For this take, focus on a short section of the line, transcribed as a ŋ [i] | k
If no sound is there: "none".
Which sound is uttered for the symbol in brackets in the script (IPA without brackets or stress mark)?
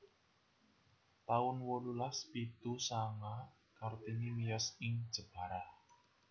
a